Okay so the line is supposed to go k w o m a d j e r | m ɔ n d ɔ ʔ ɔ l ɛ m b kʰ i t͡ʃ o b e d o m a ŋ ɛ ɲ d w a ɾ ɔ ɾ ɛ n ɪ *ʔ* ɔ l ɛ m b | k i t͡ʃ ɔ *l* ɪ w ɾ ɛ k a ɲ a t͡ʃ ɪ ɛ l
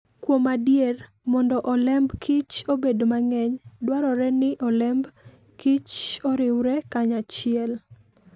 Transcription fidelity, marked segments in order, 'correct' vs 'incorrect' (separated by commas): correct, incorrect